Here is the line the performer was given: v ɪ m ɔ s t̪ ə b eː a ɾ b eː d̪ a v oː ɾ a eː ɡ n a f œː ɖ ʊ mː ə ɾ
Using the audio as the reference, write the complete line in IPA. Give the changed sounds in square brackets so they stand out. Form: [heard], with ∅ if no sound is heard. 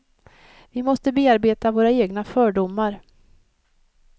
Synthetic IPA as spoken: v ɪ m ɔ s t̪ ə b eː a ɾ b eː [t̪] a v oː ɾ a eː ɡ n a f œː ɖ ʊ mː [a] ɾ